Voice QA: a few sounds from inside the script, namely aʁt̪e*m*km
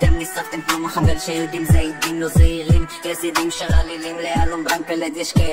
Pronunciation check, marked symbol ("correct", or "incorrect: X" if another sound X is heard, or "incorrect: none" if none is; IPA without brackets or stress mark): correct